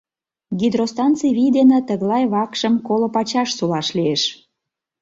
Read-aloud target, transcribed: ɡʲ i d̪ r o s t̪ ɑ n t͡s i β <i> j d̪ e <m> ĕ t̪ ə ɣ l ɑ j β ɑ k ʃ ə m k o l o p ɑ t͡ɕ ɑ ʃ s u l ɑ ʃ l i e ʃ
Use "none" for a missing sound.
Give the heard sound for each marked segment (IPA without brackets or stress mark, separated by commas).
i, n